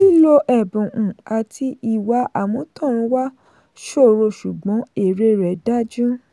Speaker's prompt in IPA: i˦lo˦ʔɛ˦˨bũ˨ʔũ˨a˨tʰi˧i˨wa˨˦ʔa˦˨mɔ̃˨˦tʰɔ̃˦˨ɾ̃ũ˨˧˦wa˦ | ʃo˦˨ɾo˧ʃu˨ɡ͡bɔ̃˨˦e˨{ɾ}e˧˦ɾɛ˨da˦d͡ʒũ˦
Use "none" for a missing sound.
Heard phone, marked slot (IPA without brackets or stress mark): ɾ